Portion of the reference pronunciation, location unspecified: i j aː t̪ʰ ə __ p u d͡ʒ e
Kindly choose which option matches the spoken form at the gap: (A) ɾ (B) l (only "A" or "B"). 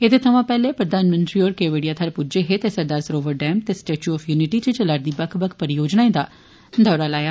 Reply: A